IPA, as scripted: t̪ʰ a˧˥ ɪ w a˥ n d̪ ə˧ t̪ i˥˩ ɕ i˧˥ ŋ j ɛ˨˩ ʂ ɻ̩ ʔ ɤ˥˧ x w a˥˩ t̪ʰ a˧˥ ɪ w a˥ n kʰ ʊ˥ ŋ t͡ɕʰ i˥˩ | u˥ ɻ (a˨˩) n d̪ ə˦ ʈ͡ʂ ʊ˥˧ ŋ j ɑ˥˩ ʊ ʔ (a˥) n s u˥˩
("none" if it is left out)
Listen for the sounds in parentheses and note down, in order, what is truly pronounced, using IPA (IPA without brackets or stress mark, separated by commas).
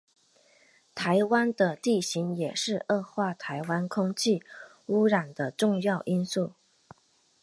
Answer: a˨˩, i˥